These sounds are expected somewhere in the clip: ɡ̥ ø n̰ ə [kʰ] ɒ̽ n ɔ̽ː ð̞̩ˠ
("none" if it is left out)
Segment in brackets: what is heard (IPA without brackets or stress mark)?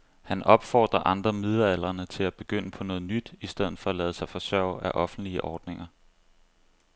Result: pʰ